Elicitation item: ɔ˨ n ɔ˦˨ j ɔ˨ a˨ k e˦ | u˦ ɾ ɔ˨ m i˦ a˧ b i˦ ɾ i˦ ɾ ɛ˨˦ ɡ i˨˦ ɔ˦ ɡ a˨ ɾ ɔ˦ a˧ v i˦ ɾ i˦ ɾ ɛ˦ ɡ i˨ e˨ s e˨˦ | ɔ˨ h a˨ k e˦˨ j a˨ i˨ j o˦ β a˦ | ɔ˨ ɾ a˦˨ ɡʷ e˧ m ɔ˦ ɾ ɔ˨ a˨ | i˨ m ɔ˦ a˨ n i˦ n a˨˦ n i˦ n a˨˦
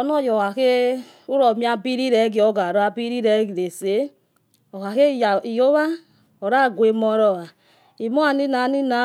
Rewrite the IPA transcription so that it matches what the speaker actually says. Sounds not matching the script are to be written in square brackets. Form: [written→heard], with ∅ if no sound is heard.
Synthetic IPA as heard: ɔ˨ n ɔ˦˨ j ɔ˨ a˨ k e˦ | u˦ ɾ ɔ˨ m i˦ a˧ b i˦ ɾ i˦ ɾ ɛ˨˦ ɡ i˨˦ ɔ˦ ɡ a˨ ɾ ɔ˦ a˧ [v→b] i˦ ɾ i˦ ɾ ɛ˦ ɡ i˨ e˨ s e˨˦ | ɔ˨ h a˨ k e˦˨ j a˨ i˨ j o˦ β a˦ | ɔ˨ ɾ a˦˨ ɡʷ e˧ m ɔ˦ ɾ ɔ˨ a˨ | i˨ m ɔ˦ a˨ n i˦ n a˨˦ n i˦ n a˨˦